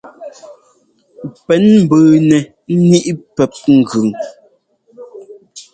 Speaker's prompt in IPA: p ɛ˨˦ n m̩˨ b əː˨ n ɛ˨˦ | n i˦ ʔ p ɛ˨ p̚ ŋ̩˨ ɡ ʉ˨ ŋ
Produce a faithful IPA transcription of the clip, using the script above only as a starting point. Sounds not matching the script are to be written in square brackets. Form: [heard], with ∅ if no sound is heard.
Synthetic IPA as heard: p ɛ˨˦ n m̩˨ b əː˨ n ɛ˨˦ | n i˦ ʔ p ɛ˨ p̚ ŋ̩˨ ɡ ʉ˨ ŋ